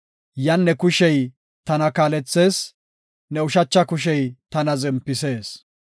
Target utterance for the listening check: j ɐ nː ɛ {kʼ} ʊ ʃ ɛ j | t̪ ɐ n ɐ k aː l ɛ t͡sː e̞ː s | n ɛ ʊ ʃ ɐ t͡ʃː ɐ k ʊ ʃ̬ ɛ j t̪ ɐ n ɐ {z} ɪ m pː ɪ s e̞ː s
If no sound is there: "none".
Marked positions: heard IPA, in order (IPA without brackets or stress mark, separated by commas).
k, z